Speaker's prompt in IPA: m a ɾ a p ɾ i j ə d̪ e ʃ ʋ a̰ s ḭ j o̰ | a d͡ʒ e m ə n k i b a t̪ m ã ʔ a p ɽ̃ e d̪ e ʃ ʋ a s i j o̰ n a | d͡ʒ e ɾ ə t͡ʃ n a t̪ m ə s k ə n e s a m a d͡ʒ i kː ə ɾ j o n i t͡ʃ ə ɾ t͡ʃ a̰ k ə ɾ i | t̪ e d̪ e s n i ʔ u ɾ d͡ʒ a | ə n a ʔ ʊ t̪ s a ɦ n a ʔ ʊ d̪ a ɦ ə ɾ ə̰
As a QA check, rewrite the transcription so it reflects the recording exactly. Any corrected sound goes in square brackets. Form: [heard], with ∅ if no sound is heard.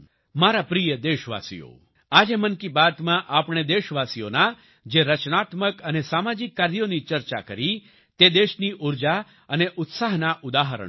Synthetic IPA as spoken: m a ɾ a p ɾ i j ə d̪ e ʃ ʋ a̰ s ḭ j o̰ | a d͡ʒ e m ə n k i b a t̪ m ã ʔ a p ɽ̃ e d̪ e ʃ ʋ a s i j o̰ n a | d͡ʒ e ɾ ə t͡ʃ n a t̪ m ə [∅] k ə n e s a m a d͡ʒ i kː [a] ɾ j o n i t͡ʃ ə ɾ t͡ʃ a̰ k ə ɾ i | t̪ e d̪ e [ʃ] n i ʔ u ɾ d͡ʒ a | ə n [e] ʔ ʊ t̪ s a ɦ n a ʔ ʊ d̪ a ɦ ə ɾ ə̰